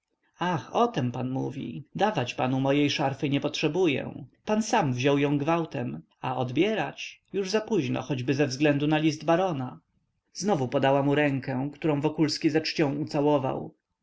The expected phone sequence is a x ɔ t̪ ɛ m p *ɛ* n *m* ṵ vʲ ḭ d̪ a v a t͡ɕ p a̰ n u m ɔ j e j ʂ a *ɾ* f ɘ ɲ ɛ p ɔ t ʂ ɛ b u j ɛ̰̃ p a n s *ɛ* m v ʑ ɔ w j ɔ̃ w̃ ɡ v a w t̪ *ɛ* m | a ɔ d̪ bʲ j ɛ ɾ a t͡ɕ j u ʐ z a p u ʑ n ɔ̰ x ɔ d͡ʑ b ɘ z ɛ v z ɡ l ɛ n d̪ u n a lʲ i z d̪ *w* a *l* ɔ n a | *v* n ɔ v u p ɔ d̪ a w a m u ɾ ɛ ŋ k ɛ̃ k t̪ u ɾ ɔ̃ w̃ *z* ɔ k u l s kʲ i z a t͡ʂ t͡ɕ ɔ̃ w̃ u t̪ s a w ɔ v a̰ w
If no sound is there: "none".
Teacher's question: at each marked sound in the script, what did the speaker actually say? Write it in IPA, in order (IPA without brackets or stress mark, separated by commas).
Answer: a, m, ɾ, a, ɛ, b, ɾ, z, v